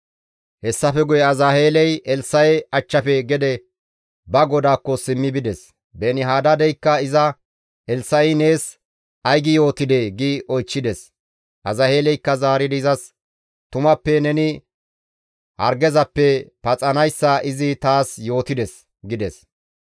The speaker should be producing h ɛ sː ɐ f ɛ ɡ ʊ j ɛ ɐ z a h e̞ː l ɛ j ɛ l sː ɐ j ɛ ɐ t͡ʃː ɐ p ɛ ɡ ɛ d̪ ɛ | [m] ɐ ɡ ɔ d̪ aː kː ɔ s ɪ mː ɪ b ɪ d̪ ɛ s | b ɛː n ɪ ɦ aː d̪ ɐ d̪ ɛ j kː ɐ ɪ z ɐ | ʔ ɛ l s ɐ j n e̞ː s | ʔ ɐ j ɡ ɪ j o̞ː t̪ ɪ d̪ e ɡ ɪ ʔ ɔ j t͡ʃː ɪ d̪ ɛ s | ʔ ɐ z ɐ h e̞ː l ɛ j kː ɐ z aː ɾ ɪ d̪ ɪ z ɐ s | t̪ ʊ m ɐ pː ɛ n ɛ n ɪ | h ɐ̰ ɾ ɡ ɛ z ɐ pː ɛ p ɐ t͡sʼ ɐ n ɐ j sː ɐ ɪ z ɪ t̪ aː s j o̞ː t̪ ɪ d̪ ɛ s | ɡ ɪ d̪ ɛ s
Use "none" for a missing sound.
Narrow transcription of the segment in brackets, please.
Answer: b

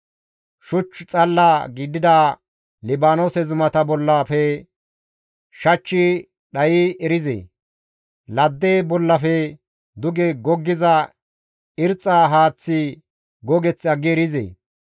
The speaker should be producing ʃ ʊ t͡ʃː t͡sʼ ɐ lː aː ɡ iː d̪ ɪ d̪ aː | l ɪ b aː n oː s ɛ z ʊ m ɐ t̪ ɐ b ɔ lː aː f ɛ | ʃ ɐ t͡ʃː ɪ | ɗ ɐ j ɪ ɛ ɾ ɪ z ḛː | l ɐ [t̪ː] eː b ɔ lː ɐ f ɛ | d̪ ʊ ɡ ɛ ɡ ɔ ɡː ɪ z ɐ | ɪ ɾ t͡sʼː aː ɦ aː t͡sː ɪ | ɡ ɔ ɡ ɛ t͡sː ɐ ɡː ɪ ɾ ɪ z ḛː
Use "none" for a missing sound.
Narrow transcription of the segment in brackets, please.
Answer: d̪ː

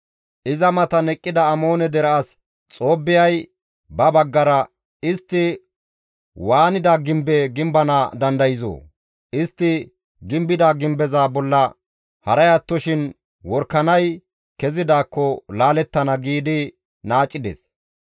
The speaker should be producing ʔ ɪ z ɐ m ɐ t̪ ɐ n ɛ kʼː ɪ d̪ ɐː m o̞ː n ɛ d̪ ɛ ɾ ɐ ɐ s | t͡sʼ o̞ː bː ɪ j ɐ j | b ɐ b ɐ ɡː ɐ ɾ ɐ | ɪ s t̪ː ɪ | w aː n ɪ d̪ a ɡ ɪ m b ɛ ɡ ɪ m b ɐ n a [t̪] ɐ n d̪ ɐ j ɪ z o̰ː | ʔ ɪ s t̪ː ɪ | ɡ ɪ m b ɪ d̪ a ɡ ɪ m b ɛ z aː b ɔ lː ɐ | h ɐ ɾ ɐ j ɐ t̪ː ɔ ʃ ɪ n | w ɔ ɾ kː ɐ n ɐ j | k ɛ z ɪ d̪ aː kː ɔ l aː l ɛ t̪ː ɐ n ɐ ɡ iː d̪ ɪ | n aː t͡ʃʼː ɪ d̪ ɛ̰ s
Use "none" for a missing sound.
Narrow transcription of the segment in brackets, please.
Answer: d̪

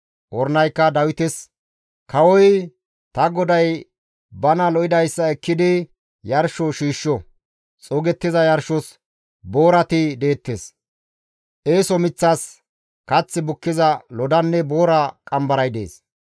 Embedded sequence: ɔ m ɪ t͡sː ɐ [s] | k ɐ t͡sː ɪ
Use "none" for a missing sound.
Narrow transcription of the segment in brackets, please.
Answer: s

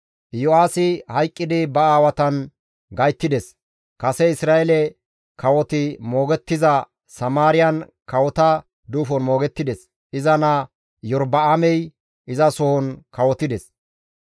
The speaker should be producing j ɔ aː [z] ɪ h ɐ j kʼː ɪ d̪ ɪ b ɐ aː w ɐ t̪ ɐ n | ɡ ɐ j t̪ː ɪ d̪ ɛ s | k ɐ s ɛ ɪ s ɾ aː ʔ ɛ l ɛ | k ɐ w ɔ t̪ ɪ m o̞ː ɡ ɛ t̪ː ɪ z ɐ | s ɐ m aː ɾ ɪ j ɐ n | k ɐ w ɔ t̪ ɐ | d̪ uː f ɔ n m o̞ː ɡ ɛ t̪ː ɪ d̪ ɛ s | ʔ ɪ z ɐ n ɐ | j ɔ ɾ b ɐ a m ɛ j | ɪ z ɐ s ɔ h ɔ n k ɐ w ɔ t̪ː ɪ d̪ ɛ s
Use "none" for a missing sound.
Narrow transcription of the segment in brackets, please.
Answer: s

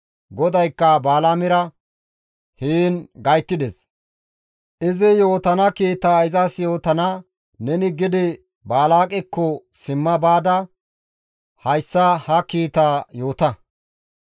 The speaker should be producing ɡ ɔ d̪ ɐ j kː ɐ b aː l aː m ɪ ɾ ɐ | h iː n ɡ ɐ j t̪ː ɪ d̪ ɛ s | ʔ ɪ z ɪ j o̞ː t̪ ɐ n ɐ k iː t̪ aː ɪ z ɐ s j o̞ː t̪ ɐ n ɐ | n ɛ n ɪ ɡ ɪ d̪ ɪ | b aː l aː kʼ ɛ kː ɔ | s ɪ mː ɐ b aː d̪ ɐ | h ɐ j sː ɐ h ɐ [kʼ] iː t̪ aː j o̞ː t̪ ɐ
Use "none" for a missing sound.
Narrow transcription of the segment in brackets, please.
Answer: k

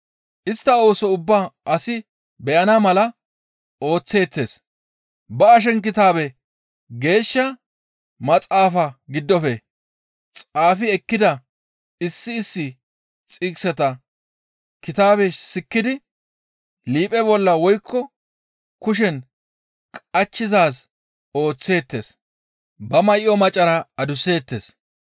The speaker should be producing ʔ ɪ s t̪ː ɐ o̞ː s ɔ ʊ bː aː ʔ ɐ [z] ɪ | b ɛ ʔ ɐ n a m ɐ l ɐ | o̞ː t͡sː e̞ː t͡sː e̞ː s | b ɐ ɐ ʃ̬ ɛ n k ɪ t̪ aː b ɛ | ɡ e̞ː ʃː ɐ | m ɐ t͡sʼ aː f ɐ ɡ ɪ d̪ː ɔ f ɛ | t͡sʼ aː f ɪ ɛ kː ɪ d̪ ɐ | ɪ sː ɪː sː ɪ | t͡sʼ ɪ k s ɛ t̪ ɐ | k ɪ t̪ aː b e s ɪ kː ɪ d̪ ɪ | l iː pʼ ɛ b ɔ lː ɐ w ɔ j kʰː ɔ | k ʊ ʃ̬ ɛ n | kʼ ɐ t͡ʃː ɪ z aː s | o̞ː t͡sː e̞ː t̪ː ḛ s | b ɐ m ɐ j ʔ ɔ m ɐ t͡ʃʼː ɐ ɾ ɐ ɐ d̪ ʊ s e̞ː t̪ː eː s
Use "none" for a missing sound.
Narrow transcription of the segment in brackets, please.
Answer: s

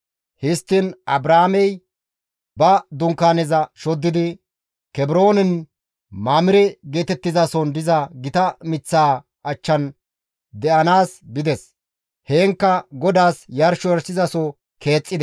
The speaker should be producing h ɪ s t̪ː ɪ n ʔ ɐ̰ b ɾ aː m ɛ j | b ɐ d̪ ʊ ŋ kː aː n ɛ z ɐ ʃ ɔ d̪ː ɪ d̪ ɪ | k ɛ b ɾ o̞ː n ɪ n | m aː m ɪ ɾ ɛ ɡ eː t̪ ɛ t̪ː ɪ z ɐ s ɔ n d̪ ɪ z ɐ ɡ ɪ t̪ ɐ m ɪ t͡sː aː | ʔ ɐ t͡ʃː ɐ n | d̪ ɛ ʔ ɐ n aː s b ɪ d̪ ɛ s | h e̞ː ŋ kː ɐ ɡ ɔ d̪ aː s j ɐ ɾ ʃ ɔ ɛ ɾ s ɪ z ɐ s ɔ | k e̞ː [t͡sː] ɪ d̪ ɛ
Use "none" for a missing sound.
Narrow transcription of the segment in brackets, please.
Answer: t͡sʼː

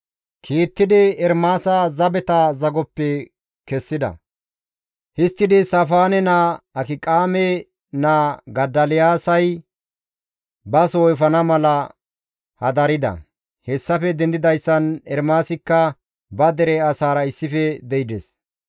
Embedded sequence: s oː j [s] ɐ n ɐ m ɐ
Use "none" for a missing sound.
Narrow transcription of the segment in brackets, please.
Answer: f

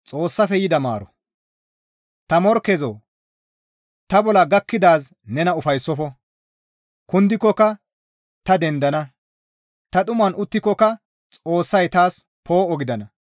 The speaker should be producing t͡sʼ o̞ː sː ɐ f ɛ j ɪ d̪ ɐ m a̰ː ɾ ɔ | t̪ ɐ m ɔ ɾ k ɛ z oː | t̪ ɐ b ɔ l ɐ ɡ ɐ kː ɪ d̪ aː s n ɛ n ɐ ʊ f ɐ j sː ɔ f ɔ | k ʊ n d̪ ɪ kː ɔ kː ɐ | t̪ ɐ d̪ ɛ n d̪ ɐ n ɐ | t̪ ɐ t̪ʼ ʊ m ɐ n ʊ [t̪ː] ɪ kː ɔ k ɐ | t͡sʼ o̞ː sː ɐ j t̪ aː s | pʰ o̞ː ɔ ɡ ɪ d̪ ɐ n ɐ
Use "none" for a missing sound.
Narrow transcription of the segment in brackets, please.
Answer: t̪ː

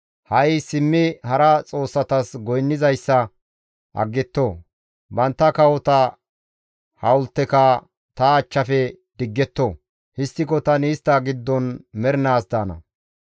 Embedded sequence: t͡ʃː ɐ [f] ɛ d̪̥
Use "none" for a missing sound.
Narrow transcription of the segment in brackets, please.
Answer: f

